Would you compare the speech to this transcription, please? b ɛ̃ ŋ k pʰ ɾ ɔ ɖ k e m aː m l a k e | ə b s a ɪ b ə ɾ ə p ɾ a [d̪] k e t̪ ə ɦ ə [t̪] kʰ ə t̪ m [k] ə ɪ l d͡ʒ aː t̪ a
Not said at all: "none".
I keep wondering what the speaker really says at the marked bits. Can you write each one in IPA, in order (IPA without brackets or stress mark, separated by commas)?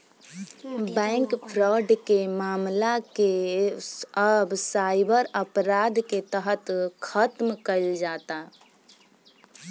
d̪, t̪, k